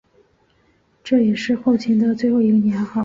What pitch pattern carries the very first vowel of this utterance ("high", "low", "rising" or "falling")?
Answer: falling